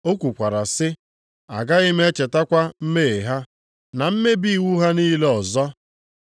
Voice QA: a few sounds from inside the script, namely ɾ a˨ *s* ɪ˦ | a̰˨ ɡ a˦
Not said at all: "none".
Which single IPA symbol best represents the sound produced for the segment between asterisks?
s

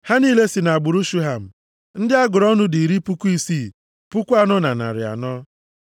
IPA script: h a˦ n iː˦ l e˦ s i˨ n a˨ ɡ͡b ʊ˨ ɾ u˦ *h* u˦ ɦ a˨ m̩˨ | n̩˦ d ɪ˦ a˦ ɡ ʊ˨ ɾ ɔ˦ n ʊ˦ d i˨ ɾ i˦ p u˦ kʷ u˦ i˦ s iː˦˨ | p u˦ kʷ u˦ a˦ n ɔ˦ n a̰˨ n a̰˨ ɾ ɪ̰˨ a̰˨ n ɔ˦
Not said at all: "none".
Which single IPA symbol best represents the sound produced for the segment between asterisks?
ʃ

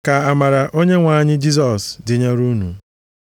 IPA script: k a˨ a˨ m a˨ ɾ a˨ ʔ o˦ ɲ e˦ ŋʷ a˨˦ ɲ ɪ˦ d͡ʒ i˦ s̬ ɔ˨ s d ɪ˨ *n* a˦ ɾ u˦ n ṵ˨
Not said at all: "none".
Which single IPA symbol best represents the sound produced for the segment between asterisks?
ɲ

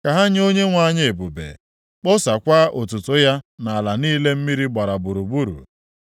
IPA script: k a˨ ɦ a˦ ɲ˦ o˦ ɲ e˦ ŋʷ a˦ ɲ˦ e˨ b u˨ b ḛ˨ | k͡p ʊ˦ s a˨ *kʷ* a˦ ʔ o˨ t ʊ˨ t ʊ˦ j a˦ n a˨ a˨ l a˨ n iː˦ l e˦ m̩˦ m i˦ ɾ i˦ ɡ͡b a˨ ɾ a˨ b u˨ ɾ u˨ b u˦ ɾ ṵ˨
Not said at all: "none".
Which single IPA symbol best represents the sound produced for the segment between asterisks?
kʷ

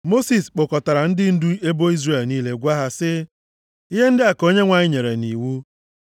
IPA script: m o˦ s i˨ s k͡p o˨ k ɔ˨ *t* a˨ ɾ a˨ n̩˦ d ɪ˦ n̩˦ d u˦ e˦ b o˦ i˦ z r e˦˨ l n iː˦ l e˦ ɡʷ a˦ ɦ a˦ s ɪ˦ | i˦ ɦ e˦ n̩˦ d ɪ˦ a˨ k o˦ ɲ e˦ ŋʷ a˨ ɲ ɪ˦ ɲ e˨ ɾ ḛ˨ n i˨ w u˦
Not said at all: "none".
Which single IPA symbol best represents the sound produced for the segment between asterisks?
t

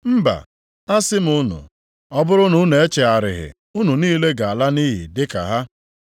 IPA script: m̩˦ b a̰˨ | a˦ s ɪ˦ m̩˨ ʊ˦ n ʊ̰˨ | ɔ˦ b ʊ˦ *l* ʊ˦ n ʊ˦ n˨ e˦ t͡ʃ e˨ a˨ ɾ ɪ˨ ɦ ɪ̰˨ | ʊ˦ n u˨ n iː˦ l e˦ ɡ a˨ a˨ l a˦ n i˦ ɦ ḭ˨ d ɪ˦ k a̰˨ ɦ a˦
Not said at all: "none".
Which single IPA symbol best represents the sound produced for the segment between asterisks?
ɾ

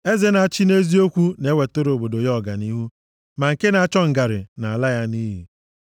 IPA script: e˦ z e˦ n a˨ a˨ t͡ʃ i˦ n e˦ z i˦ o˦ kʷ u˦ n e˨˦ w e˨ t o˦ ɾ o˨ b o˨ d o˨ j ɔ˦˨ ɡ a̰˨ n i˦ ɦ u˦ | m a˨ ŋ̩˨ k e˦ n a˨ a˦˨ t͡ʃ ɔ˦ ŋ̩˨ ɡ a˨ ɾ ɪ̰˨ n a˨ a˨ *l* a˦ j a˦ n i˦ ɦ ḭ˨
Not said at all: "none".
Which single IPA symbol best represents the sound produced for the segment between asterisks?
l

